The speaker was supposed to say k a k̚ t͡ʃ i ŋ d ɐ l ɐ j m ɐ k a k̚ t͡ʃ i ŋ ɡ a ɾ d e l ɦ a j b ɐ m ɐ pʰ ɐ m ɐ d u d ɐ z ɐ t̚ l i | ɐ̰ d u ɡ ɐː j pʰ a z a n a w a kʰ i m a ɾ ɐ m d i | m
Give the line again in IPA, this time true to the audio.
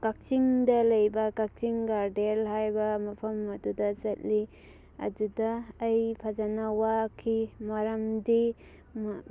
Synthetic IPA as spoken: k a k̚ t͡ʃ i ŋ d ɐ l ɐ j b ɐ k a k̚ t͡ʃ i ŋ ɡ a ɾ d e l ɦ a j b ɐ m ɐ pʰ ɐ m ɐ d u d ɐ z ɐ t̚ l i | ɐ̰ d u d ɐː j pʰ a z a n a w a kʰ i m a ɾ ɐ m d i | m